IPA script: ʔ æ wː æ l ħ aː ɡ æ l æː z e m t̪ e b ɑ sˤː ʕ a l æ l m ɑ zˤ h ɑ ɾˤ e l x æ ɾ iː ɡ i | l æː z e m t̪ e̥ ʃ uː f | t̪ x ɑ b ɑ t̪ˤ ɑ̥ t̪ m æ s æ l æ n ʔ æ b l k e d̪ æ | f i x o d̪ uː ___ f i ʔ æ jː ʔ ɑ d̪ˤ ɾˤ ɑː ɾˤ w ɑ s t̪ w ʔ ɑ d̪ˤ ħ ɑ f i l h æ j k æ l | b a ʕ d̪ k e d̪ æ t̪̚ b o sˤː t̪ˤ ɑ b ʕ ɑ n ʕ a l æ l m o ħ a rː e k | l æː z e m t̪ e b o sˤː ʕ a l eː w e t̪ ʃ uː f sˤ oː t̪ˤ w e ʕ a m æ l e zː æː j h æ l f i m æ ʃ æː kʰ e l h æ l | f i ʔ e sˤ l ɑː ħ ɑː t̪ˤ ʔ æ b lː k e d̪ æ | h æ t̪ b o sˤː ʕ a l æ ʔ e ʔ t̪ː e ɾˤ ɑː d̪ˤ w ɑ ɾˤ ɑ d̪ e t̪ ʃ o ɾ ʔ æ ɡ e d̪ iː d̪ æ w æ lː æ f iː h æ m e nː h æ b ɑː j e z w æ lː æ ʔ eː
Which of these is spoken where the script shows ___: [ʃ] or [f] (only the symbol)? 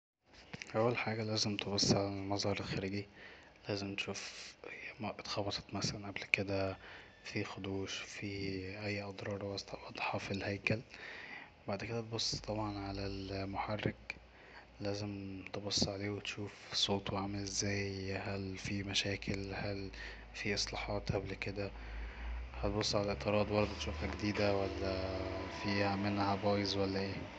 ʃ